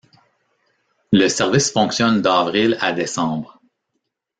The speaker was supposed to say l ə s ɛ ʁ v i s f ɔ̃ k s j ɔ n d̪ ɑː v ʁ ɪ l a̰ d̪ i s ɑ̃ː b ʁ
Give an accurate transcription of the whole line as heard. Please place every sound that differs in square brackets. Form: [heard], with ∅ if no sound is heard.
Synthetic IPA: l ə s ɛ ʁ v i s f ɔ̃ k s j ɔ n d̪ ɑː v ʁ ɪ l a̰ d̪ [e] s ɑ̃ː b ʁ